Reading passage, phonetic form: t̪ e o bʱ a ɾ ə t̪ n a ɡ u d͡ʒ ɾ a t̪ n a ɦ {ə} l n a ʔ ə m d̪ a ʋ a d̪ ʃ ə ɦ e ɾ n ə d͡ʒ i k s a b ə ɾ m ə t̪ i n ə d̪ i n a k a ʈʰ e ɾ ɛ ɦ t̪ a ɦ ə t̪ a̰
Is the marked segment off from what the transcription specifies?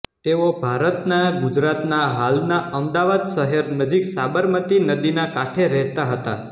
yes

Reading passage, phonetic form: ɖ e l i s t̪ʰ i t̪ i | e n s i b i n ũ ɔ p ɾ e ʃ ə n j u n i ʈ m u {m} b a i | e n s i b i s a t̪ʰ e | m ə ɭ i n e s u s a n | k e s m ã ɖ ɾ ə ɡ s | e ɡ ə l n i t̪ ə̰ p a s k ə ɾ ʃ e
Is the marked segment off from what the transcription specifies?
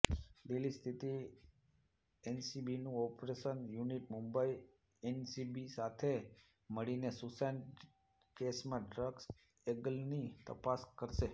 no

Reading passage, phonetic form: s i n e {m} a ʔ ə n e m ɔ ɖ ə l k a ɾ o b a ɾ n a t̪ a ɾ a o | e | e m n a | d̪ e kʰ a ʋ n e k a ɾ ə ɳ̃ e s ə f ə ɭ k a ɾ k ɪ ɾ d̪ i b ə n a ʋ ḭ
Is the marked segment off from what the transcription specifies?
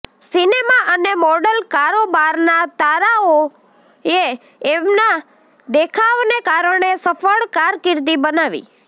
no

